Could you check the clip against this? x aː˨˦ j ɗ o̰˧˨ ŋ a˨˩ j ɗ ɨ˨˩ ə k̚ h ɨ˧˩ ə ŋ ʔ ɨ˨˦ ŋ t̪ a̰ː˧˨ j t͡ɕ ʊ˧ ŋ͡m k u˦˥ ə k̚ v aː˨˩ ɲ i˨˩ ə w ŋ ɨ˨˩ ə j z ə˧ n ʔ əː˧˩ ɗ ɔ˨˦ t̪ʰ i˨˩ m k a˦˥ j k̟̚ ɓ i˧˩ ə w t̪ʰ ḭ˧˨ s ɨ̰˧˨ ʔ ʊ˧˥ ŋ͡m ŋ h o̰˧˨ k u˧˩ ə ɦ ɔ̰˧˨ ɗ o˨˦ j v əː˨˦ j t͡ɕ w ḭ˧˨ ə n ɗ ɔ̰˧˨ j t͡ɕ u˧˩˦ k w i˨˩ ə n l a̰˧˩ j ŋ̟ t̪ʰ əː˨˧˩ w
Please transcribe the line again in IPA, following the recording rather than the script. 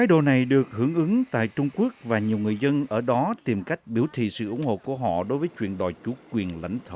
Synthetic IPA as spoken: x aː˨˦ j ɗ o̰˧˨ n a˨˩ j ɗ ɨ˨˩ ə k̚ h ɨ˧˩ ə ŋ ʔ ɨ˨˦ ŋ t̪ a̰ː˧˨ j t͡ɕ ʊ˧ ŋ͡m k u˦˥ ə k̚ v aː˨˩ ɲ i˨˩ ə w ŋ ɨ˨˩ ə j z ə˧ n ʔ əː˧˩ ɗ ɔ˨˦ t̪ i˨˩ m k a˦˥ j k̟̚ ɓ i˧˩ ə w t̪ʰ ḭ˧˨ s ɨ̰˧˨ ʔ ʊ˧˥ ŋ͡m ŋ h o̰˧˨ k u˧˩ ə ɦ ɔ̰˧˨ ɗ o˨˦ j v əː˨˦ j t͡ɕ w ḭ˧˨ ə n ɗ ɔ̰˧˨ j t͡ɕ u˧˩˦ k w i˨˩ ə n l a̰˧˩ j ŋ̟ t̪ʰ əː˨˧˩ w

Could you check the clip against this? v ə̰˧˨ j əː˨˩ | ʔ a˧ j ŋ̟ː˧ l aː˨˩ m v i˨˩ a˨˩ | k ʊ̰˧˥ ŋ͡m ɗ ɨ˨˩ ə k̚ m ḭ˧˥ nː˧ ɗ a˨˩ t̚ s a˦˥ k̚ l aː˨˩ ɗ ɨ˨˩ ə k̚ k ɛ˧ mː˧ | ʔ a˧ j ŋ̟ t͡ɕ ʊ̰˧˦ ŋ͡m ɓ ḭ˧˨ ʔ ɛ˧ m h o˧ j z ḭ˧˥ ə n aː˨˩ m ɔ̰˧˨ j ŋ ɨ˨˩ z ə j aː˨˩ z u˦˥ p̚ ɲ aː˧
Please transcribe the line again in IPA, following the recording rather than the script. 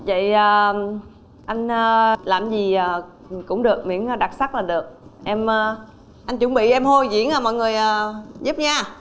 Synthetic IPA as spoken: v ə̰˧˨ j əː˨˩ | ʔ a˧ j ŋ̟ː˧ l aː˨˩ m z i˨˩ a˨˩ | k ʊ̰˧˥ ŋ͡m ɗ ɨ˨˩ ə k̚ m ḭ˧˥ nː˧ ɗ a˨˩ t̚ s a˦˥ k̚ l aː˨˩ ɗ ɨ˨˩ ə k̚ ʔ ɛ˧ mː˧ | ʔ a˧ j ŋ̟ t͡ɕ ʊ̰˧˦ ŋ͡m ɓ ḭ˧˨ ʔ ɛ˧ m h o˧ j z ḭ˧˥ ə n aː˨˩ m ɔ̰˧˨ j ŋ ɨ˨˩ ə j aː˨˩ z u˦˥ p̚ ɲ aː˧

